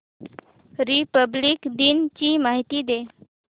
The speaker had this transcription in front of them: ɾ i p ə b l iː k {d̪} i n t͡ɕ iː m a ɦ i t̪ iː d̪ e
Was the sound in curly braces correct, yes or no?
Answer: yes